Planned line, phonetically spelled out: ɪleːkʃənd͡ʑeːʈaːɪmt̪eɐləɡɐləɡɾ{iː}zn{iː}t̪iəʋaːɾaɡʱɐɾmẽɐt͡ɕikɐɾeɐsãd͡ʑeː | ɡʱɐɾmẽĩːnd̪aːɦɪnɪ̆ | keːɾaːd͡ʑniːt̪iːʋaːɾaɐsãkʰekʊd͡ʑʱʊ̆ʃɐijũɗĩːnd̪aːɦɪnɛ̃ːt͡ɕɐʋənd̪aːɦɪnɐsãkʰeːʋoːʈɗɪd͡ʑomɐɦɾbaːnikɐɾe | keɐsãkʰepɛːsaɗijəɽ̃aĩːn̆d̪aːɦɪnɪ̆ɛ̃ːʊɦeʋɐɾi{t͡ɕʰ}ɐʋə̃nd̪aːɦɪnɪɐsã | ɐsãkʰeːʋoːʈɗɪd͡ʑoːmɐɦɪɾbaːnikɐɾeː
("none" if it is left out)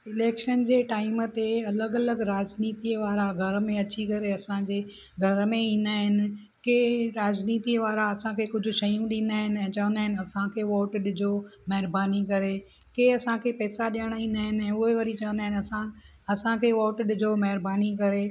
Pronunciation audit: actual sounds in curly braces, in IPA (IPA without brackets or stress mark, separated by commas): aː, iː, t͡ɕ